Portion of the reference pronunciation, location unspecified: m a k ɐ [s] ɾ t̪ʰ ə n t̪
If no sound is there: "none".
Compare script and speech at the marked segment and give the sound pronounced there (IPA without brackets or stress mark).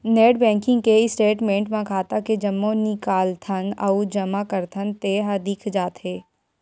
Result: none